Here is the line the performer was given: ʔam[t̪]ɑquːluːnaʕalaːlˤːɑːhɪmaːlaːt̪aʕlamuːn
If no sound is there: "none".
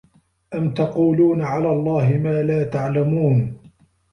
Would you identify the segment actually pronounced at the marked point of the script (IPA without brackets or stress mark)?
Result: t̪